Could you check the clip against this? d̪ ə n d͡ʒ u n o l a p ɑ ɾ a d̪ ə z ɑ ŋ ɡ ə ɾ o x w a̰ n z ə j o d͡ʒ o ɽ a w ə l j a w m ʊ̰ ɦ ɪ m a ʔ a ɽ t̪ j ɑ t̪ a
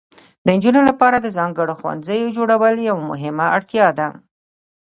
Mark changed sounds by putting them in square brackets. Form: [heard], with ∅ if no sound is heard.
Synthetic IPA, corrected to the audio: d̪ ə n d͡ʒ u n o l a p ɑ ɾ a d̪ ə z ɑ ŋ ɡ ə [ɽ] o x w a̰ n z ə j o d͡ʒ o ɽ a w ə l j a w m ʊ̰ ɦ ɪ m a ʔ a ɽ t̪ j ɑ [d̪] a